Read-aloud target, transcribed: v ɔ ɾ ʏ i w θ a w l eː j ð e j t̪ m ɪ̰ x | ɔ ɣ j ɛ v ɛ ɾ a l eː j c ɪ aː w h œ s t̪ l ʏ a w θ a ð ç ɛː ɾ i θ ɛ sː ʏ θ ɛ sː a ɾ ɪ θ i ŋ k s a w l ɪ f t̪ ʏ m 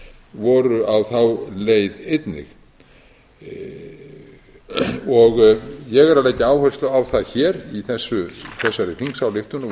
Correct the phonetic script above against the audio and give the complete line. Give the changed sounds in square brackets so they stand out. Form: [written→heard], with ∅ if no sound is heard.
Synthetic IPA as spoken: v ɔ ɾ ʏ [i→a] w θ a w l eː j ð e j t̪ [m→n] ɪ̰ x | ɔ ɣ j ɛ [v→ɣ] ɛ ɾ a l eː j c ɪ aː w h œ s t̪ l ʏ a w θ a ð ç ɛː ɾ i θ ɛ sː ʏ θ ɛ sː a ɾ ɪ θ i ŋ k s a w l ɪ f t̪ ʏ [m→n]